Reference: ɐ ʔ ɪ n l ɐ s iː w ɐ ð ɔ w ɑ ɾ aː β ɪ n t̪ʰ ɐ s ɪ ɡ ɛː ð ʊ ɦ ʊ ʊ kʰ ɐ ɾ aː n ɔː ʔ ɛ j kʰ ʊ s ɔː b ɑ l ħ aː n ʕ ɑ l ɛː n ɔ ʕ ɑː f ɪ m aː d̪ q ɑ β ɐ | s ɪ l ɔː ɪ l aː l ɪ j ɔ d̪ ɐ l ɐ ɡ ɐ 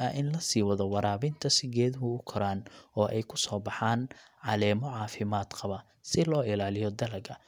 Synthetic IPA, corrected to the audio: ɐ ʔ ɪ n l ɐ s iː w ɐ ð ɔ w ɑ ɾ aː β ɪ n t̪ʰ ɐ s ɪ ɡ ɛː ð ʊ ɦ ʊ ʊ kʰ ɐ ɾ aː n ɔː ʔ ɛ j kʰ ʊ s ɔː b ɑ ħ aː n ʕ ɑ l ɛː m ɔ ʕ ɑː f ɪ m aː d̪ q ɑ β ɐ | s ɪ l ɔː ɪ l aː l ɪ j ɔ d̪ ɐ l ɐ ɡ ɐ